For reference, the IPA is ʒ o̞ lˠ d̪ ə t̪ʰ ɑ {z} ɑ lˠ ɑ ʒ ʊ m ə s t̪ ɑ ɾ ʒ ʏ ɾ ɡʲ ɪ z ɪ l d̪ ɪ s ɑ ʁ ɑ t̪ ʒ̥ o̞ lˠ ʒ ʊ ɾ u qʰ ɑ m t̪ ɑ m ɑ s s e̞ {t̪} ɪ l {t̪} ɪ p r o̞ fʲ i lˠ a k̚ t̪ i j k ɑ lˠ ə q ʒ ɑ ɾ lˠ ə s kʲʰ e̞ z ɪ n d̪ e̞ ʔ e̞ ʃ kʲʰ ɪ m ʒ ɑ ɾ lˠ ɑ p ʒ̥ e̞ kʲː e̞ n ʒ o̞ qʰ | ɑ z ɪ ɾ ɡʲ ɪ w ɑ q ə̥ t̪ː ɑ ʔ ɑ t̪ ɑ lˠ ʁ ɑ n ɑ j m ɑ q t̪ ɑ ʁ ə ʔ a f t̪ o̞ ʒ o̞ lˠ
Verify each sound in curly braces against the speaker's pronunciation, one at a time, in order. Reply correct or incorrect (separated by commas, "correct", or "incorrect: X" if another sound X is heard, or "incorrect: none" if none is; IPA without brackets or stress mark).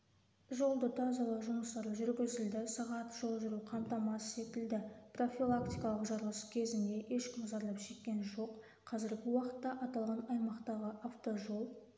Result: correct, correct, incorrect: d̪